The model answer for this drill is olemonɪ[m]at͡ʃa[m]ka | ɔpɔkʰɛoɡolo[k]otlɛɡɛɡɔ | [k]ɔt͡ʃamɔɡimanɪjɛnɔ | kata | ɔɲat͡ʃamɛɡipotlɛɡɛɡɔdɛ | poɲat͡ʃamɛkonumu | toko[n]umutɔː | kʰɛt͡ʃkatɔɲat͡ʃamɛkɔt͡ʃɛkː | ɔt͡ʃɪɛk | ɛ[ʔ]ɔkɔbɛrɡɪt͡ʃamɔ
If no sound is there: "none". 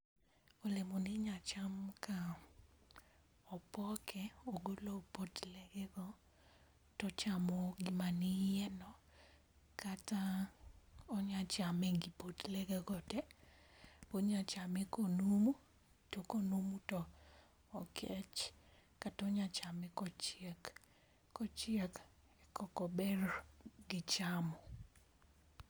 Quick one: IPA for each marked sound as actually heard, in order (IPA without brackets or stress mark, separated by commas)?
ɲ, m, p, t, n, k